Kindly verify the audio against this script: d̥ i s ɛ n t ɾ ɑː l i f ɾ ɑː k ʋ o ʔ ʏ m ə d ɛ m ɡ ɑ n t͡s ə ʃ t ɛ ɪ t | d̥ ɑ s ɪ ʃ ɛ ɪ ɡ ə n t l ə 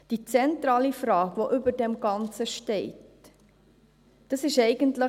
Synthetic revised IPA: d̥ i t͡s ɛ n t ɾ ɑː l i f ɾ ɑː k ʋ o ʔ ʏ b ə d ɛ m ɡ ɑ n t͡s ə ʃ t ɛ ɪ t | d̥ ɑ s ɪ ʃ ɛ ɪ ɡ ə n t l ə